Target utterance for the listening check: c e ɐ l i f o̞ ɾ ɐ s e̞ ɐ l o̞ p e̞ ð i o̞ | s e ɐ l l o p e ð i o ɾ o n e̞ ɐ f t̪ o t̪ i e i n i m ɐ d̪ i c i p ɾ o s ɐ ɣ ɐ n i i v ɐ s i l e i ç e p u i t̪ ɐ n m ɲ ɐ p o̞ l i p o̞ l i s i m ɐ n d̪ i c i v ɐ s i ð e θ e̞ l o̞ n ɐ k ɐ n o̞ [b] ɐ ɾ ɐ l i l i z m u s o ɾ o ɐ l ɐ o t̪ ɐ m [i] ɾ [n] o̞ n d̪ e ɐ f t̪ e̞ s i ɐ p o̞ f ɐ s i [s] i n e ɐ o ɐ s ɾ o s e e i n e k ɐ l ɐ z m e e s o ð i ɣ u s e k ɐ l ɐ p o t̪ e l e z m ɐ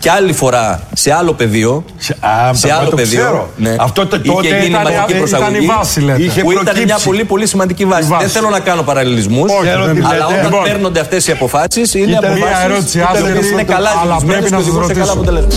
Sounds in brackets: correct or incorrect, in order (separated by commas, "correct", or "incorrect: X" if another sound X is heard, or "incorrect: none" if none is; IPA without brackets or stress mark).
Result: incorrect: p, incorrect: e, correct, correct